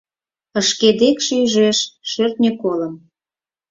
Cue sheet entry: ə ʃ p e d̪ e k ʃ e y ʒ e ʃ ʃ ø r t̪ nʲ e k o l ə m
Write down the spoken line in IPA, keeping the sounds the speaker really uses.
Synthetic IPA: ə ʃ k e d̪ e k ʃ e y ʒ e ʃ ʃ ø r t̪ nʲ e k o l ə m